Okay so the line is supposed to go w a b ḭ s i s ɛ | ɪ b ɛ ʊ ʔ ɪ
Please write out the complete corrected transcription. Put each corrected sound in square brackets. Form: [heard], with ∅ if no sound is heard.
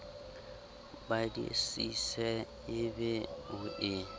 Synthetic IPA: [b] a [d] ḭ s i s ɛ | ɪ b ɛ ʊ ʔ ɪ